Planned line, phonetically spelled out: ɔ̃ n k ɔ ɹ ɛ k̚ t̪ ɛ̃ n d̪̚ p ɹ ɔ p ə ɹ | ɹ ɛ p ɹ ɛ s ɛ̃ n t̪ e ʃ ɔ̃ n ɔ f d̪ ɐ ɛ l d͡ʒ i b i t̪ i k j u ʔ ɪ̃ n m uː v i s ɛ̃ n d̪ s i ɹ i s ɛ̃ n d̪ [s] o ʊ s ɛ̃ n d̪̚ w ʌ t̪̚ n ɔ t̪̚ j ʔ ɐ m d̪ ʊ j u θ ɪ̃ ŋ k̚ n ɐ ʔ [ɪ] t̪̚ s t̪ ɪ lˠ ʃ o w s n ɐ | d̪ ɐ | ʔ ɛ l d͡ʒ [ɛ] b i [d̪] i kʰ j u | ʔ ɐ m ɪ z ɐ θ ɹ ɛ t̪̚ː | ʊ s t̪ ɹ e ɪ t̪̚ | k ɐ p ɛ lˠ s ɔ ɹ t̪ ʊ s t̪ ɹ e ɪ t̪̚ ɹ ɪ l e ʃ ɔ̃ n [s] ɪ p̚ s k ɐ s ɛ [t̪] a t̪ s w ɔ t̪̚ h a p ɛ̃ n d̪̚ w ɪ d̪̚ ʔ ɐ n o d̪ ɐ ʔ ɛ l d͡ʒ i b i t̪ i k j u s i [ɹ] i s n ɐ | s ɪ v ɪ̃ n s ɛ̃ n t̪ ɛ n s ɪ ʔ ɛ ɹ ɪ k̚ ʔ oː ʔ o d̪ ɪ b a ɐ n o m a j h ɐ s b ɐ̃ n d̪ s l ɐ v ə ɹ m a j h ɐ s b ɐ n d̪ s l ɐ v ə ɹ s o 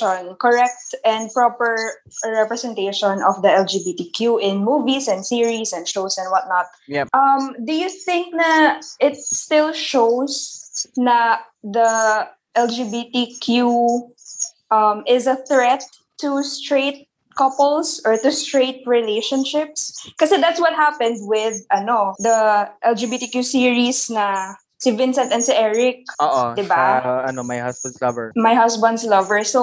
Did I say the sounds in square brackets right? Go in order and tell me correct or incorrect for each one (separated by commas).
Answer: incorrect, correct, incorrect, incorrect, incorrect, incorrect, correct